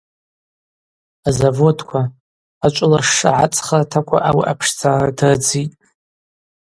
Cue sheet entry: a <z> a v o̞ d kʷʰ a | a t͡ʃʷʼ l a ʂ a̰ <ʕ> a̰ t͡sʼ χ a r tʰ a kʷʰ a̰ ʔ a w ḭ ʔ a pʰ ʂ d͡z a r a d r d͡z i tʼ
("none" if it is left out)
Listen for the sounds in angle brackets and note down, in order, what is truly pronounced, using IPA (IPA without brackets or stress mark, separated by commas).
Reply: z, ʕ